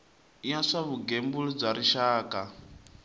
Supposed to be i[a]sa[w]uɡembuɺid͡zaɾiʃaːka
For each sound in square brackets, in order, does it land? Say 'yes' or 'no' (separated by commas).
yes, no